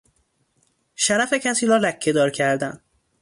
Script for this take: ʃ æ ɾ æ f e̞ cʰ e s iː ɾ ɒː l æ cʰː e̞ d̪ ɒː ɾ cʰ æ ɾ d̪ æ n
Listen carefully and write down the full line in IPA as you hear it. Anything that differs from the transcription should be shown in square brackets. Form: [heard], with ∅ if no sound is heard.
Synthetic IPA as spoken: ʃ æ ɾ æ f e̞ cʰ [æ] s iː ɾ ɒː l æ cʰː e̞ d̪ ɒː ɾ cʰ æ ɾ d̪ æ n